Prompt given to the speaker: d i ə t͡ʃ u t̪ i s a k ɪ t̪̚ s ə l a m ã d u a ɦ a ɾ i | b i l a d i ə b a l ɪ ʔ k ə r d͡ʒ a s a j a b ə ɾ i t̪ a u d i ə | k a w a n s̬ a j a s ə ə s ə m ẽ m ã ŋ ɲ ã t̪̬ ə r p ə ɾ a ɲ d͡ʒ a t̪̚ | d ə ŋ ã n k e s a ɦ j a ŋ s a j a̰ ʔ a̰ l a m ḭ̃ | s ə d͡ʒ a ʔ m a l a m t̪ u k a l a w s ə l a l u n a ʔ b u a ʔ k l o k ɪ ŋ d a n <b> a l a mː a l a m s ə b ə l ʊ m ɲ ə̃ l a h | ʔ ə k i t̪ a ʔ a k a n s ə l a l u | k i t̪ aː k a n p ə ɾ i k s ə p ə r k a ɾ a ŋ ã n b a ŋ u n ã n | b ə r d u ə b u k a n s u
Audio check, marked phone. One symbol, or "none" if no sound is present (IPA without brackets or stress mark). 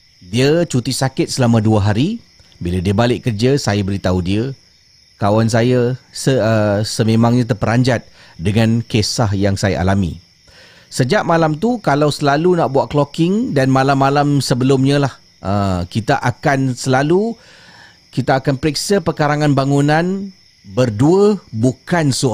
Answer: m